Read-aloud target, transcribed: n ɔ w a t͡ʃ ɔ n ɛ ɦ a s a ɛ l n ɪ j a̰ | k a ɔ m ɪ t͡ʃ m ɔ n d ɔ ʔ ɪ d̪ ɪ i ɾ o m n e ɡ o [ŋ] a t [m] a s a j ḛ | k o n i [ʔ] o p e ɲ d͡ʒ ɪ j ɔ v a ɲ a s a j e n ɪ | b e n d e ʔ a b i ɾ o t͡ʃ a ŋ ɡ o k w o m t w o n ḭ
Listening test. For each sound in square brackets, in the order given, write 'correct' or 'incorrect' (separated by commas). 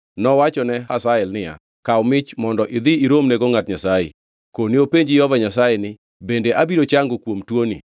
correct, incorrect, incorrect